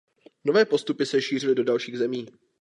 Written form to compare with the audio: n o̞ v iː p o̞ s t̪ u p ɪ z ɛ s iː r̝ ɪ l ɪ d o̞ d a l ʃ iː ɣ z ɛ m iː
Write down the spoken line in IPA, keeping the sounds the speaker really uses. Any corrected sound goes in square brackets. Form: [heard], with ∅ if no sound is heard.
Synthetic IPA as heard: n o̞ v [ɛː] p o̞ s t̪ u p ɪ [s] ɛ [ʃ] iː r̝ ɪ l ɪ d o̞ d a l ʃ iː ɣ z ɛ m iː

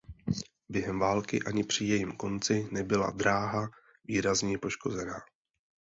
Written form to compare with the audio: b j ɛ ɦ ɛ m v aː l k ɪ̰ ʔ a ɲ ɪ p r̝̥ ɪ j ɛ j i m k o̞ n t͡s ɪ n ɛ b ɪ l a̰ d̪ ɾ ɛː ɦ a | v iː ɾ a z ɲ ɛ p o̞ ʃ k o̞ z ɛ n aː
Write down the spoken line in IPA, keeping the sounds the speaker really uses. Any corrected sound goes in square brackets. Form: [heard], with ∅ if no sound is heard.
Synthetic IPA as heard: b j ɛ ɦ ɛ m v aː l k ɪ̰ ʔ a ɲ ɪ p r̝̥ ɪ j ɛ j i m k o̞ n t͡s ɪ n ɛ b ɪ l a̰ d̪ ɾ [aː] ɦ a | v iː ɾ a z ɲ ɛ p o̞ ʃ k o̞ z ɛ n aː

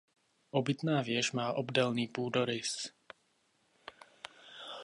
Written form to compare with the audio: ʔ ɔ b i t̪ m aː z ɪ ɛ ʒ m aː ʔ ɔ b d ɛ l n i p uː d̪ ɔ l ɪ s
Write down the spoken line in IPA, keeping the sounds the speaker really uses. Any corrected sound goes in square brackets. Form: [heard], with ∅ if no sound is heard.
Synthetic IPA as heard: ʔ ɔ b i t̪ [n] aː [v] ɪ ɛ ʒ m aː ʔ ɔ b d ɛ l n [iː] p uː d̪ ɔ [ɾ] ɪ s

